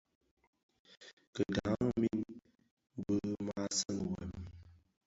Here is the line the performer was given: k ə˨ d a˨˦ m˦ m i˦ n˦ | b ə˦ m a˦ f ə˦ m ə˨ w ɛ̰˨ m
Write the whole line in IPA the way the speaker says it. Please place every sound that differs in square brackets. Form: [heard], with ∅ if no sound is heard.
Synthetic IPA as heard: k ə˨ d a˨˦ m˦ m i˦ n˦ | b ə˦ m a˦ [s] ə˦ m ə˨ w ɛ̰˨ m